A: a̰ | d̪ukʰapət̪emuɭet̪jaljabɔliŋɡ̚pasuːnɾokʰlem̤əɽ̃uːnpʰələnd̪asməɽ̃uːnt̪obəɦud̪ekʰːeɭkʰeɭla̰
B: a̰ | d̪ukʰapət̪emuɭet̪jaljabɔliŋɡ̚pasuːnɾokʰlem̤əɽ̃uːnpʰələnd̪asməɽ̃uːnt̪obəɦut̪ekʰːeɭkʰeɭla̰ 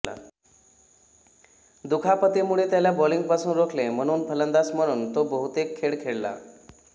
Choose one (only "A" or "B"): B